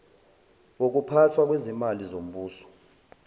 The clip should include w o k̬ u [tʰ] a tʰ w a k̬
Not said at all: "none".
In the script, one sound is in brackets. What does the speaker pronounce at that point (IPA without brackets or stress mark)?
pʰ